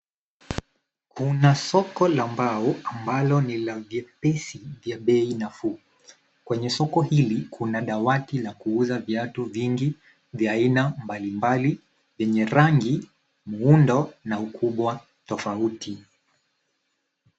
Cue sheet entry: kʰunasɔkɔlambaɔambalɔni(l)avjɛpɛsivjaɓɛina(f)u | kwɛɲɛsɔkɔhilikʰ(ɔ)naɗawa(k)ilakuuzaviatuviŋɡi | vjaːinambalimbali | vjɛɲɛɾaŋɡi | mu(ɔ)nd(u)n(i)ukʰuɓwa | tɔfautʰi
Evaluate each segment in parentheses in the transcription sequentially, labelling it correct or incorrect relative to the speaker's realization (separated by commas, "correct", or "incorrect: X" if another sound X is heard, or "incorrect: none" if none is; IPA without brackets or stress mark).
correct, correct, incorrect: u, incorrect: t, incorrect: u, incorrect: ɔ, incorrect: a